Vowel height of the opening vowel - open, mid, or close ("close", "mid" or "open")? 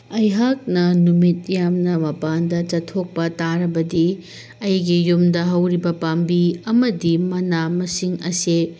open